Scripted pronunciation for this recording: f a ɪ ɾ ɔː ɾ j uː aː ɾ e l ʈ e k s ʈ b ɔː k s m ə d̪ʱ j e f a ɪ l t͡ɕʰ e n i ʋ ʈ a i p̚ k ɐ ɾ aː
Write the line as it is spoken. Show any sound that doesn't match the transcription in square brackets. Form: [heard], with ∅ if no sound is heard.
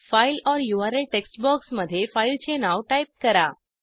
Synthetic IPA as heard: f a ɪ [l] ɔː ɾ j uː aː ɾ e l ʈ e k s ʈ b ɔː k s m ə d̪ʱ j e f a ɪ l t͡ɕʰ e n [a] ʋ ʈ a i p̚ k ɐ ɾ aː